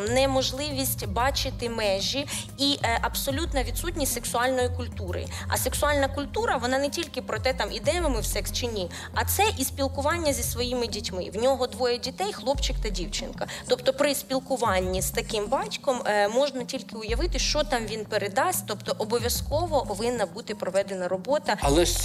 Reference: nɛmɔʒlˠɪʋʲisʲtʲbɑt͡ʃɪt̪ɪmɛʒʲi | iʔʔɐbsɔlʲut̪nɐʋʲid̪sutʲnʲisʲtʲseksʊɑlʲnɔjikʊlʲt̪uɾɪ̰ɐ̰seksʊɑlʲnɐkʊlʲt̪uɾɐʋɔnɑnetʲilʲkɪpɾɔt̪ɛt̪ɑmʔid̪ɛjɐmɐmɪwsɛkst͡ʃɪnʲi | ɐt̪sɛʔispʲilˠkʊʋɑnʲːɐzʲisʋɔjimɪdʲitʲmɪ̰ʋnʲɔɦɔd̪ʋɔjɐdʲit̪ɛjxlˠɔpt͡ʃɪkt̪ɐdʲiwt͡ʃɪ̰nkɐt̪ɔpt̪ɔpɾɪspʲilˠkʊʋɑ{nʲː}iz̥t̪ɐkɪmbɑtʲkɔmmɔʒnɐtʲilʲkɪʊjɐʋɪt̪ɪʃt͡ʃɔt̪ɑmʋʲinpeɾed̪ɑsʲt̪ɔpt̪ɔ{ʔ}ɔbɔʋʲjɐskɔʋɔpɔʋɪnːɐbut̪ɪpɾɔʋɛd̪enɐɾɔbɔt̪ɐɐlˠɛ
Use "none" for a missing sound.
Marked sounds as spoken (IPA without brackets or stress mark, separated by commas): nʲː, ʔ